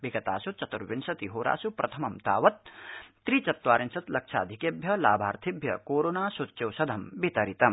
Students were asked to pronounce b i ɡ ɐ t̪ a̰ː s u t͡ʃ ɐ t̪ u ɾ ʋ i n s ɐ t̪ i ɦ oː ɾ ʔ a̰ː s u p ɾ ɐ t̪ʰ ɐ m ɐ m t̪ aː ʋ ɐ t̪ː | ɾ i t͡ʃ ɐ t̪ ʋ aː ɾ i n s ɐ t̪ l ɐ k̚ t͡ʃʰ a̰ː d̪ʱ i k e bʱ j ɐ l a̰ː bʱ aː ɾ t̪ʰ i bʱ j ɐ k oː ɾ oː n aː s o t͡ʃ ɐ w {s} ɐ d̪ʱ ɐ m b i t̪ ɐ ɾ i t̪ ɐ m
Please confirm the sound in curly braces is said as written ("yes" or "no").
yes